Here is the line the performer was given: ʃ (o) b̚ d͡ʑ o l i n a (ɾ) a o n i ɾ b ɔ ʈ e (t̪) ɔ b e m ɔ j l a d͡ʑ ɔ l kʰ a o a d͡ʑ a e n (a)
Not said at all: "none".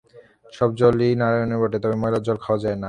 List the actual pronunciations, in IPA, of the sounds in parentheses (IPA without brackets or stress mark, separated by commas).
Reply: ɔ, ɾ, t̪, a